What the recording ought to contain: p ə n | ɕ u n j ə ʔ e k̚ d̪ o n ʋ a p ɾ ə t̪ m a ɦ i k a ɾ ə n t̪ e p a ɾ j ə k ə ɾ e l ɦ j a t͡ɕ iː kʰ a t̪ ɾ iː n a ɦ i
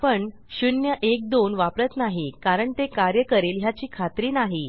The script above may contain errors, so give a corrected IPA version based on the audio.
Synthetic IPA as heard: p ə ɳ | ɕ u n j ə ʔ e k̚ d̪ o n ʋ a p ɾ ə t̪ n a ɦ i k a ɾ ə ɳ t̪ e k a ɾ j ə k ə ɾ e l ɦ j a t͡ɕ iː kʰ a t̪ ɾ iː n a ɦ i